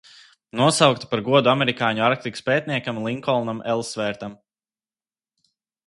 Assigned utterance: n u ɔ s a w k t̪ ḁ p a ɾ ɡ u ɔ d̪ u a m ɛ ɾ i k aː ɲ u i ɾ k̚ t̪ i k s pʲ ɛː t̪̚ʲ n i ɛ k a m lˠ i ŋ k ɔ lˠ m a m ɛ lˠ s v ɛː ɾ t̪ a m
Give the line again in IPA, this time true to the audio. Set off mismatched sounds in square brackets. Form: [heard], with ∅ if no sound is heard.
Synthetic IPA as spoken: n u ɔ s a w k t̪ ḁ p a ɾ ɡ u ɔ d̪ u a m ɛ ɾ i k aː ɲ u [a] ɾ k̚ t̪ i k s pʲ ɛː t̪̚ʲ n i ɛ k a m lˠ i ŋ k ɔ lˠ [n] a m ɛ lˠ s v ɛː ɾ t̪ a m